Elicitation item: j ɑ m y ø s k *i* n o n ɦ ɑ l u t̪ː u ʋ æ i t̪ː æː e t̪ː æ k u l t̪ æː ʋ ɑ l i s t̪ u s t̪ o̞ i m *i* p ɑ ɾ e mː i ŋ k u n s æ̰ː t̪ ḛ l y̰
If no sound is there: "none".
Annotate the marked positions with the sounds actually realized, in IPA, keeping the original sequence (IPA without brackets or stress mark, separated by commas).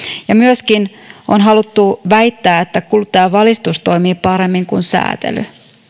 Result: i, iː